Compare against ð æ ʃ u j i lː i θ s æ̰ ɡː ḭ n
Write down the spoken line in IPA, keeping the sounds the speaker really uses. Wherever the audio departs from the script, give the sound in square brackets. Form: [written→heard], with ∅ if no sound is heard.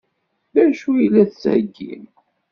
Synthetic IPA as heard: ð æ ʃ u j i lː [i→æ] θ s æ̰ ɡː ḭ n